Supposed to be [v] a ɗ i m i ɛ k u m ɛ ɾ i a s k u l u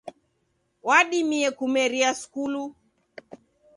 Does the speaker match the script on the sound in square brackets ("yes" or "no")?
no